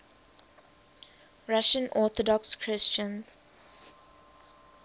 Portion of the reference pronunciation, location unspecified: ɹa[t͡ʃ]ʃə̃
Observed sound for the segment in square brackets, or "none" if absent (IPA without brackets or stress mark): none